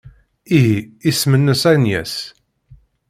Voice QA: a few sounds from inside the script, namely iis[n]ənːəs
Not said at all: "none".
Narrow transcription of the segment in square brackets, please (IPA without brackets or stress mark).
m